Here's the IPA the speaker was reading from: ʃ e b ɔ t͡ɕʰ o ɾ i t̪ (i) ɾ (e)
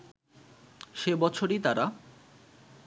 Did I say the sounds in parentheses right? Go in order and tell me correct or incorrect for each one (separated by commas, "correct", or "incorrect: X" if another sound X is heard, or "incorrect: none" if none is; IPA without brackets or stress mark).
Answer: incorrect: a, incorrect: a